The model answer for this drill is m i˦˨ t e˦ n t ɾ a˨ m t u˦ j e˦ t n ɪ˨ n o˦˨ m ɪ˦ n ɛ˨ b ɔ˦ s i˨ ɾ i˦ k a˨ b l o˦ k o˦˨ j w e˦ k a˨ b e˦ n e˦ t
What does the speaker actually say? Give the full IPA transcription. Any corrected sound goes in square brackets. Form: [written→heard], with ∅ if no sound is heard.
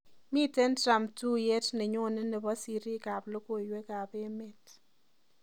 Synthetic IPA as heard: m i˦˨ t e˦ n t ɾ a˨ m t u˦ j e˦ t n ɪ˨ [n→ɲ] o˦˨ [m→n] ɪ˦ n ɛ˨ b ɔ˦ s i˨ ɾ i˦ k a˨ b l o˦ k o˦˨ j w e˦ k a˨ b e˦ [n→m] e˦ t